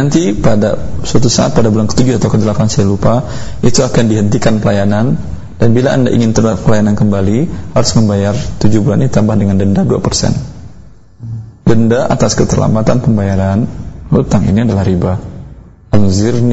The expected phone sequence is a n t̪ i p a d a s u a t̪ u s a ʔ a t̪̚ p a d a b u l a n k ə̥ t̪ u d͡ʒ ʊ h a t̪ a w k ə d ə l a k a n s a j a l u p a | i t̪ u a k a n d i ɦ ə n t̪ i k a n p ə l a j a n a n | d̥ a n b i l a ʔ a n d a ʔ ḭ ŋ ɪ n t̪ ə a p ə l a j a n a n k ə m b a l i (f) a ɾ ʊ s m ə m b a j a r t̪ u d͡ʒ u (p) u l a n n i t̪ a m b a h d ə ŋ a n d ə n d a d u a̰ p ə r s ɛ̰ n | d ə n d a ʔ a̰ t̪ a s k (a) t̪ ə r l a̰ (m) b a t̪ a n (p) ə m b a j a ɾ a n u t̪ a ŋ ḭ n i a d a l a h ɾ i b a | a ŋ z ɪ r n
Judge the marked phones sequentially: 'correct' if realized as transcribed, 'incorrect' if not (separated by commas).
incorrect, incorrect, incorrect, correct, correct